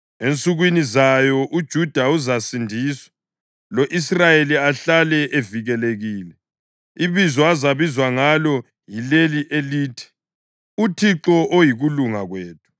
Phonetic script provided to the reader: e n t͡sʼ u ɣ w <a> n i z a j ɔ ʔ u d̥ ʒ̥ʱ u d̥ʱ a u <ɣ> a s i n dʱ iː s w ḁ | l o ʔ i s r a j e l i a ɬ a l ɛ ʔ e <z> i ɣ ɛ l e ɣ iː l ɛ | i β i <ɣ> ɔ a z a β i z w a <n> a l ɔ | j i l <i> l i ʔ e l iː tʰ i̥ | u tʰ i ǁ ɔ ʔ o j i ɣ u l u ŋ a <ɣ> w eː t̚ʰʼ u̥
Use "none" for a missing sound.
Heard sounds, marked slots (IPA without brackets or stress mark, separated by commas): i, z, v, z, ŋ, e, ɣ